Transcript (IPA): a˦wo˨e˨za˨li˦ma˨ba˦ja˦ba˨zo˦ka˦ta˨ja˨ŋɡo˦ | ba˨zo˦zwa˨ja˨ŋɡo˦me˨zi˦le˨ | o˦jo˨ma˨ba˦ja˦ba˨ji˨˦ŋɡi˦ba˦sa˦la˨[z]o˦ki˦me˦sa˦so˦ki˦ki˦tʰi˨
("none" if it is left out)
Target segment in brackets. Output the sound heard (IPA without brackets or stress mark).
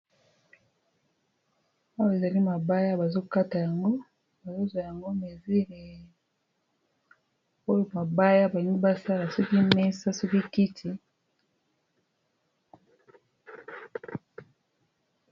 s